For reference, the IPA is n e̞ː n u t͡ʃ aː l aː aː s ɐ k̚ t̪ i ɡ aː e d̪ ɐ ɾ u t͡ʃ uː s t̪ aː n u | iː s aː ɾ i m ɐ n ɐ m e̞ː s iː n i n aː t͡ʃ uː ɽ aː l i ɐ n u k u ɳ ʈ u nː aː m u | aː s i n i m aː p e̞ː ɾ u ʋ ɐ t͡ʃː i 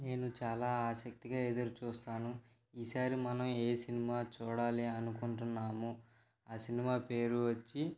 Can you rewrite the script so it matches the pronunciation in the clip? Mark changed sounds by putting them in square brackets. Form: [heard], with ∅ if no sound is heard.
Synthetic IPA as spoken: n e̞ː n u t͡ʃ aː l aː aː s ɐ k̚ t̪ i ɡ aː e d̪ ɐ ɾ u t͡ʃ uː s t̪ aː n u | iː s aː ɾ i m ɐ n ɐ m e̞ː s [i] n i [m] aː t͡ʃ uː ɽ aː l i ɐ n u k u ɳ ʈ u nː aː m u | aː s i n i m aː p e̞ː ɾ u ʋ ɐ t͡ʃː i